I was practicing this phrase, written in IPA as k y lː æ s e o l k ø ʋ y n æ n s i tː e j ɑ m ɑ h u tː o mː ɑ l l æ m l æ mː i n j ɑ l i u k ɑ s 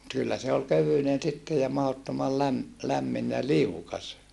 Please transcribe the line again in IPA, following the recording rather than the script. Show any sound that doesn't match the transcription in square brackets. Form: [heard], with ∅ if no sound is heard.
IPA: k y lː æ s e o l k ø ʋ y n [e] n s i tː e j ɑ m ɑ h [o] tː o [m] ɑ l l æ m l æ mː i n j ɑ l i u k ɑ s